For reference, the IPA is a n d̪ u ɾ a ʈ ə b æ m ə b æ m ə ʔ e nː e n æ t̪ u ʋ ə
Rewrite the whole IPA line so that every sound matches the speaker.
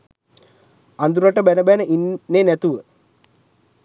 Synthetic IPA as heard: a n d̪ u ɾ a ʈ ə b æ n ə b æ n ə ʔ i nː e n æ t̪ u ʋ ə